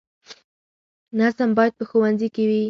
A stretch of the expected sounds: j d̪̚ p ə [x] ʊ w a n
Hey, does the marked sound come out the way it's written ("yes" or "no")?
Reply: yes